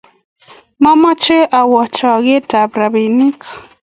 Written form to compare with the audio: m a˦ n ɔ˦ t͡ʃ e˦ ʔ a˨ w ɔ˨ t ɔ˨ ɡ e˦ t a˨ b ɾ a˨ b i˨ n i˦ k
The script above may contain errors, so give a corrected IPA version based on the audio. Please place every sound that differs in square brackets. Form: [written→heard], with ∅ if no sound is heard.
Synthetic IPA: m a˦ [n→m] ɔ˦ t͡ʃ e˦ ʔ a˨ w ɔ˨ [t→t͡ʃ] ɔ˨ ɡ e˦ t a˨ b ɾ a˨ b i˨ n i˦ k